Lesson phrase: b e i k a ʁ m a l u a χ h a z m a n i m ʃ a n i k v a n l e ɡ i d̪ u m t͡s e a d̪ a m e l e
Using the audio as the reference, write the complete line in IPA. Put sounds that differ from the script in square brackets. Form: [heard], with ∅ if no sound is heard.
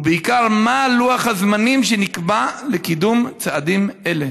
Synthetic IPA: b e i k a ʁ m a l u a χ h a z m a n i m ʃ [e] n i k [b] a [∅] l e [k] i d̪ u m t͡s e a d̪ [i] m e l e